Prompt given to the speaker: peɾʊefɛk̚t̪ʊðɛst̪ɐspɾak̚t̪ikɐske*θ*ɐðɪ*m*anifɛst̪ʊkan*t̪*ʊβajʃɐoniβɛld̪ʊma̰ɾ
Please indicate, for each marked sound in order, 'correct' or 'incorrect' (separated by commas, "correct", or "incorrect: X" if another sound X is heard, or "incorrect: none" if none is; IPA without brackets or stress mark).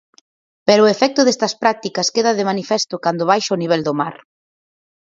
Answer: incorrect: ð, correct, incorrect: d̪